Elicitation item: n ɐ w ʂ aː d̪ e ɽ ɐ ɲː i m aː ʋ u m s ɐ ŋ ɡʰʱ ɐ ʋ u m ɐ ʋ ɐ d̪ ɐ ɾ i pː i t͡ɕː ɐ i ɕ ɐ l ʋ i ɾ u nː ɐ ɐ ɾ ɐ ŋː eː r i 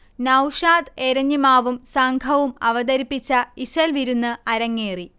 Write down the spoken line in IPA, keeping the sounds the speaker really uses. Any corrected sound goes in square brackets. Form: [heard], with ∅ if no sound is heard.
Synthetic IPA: n ɐ w ʂ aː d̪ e [ɾ] ɐ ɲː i m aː ʋ u m s ɐ ŋ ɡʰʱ ɐ ʋ u m ɐ ʋ ɐ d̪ ɐ ɾ i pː i t͡ɕː ɐ i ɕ ɐ l ʋ i ɾ u nː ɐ ɐ ɾ ɐ ŋː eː r i